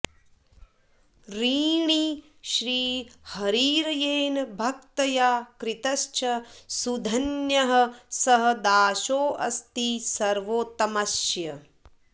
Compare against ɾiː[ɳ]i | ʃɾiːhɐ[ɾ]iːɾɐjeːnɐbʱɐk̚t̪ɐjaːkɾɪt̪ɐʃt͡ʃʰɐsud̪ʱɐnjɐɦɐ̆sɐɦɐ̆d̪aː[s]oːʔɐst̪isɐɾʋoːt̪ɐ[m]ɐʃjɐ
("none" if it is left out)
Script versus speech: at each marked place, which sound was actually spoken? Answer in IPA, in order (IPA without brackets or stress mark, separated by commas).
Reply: ɳ, ɾ, ʃ, m